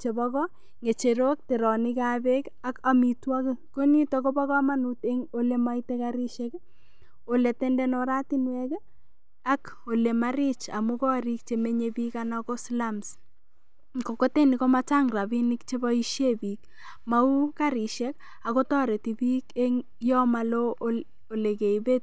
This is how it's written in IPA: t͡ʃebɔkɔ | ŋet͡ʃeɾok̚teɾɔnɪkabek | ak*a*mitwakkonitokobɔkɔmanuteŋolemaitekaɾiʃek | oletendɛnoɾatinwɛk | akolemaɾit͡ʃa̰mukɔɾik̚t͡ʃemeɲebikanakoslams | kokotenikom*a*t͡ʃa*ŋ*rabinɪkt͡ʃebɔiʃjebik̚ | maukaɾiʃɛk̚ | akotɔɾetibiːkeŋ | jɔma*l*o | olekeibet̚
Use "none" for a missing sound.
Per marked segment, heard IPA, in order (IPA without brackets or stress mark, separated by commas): a, a, ŋ, l